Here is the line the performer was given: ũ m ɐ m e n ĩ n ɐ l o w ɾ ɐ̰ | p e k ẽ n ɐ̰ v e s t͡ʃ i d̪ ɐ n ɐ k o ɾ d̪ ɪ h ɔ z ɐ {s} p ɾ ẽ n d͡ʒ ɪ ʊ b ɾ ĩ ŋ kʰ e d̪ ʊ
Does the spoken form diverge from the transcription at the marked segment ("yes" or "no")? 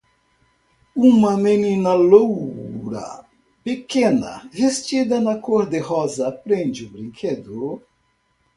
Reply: yes